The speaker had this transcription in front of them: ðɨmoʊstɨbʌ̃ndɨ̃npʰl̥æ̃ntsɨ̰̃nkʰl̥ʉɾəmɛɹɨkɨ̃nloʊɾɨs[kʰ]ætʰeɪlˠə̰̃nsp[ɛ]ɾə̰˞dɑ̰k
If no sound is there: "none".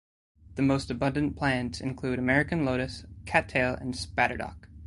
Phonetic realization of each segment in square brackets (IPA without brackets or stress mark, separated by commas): kʰ, æ